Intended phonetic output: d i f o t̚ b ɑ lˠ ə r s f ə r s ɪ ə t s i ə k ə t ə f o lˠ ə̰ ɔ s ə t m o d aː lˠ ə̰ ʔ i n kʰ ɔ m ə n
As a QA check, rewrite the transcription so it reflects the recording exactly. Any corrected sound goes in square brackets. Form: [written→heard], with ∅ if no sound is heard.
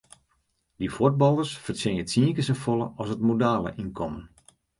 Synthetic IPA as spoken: d i f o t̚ b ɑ lˠ ə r s f ə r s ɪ ə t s i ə k ə [t→s] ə f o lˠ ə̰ ɔ s ə t m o d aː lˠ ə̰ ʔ i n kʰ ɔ m ə n